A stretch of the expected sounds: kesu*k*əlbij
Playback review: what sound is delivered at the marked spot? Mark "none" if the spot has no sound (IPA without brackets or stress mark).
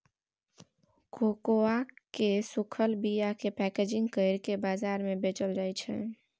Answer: kʰ